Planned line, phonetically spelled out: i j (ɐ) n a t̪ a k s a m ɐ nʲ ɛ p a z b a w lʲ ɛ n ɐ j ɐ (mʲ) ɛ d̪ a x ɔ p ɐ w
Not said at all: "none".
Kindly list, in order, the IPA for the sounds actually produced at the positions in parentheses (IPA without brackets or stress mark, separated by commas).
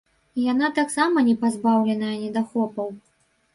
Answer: a, nʲ